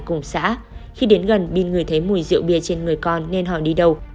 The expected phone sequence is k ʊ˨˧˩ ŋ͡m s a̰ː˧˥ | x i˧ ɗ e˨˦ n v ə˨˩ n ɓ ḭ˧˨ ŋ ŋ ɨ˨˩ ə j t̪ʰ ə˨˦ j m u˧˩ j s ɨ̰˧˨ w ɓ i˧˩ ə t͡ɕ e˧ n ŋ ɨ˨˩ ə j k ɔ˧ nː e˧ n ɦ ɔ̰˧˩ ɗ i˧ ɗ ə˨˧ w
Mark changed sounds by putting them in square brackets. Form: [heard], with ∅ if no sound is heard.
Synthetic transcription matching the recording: k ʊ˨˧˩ ŋ͡m s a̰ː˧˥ | x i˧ ɗ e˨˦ n [ɣ] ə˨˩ n ɓ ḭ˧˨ [n] ŋ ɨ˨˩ ə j t̪ʰ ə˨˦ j m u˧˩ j [z] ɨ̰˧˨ w ɓ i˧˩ ə t͡ɕ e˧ n ŋ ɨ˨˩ ə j k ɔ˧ nː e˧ n ɦ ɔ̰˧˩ ɗ i˧ ɗ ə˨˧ w

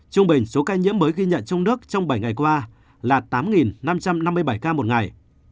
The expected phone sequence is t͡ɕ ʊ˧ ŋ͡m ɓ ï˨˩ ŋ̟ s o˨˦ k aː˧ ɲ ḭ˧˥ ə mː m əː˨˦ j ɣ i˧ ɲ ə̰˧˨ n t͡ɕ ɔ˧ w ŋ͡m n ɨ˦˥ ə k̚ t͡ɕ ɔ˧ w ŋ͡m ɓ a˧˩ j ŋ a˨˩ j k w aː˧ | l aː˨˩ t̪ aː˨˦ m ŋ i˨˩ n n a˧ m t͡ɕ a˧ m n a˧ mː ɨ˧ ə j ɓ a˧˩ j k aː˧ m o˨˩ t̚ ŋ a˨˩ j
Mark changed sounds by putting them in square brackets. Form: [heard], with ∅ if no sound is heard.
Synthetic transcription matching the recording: t͡ɕ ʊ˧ ŋ͡m ɓ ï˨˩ ŋ̟ s o˨˦ k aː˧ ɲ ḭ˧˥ ə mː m əː˨˦ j ɣ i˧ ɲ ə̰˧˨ n t͡ɕ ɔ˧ w ŋ͡m n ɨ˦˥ ə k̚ t͡ɕ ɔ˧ w ŋ͡m ɓ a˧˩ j ŋ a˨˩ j k w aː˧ | l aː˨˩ t̪ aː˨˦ m ŋ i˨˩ n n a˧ m t͡ɕ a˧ m n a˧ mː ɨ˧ ə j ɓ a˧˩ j k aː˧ m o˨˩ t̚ ŋ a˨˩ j

